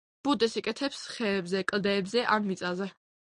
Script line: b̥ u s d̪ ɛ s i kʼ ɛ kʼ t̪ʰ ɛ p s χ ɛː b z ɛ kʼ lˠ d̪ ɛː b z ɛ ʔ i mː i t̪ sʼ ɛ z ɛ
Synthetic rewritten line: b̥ u d̪ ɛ s i kʼ ɛ t̪ʰ ɛ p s χ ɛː b z ɛ kʼ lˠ d̪ ɛː b z ɛ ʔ a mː i t̪ sʼ a z ɛ